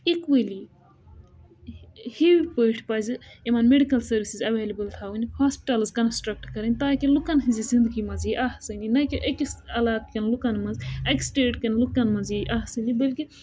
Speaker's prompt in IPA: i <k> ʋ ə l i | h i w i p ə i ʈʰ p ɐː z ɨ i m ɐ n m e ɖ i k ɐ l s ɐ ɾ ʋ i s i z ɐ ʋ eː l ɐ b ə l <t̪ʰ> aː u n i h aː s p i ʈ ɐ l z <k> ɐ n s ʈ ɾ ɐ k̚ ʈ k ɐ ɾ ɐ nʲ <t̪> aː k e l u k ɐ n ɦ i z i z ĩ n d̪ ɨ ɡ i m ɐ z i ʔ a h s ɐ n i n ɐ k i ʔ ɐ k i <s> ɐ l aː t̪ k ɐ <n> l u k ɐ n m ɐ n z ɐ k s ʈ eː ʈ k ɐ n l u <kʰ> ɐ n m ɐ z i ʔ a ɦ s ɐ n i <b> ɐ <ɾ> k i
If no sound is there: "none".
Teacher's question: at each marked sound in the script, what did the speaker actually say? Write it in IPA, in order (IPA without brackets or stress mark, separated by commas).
k, t̪ʰ, k, t̪, s, n, k, b, l